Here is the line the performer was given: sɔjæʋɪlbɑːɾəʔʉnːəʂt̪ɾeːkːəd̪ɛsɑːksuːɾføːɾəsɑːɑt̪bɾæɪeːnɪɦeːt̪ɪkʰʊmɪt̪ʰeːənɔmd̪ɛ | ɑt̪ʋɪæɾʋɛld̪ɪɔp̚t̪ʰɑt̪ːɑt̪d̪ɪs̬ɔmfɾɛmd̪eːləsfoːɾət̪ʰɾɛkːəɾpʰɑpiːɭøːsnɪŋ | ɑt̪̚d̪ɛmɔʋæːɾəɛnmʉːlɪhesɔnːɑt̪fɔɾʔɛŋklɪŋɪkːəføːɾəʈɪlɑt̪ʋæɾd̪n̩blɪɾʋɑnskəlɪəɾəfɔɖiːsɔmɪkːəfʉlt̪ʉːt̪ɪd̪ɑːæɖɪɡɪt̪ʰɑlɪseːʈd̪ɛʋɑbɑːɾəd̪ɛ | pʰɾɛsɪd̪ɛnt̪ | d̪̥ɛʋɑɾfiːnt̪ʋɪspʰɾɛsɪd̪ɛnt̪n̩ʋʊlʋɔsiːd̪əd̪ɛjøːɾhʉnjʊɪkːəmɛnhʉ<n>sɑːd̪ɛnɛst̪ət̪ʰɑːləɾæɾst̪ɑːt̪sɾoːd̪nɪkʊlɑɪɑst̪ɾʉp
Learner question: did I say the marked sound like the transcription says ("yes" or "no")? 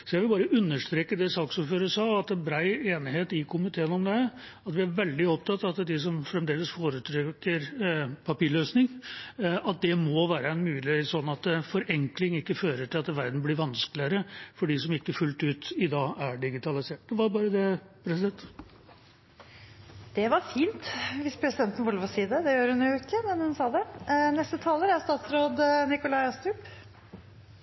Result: yes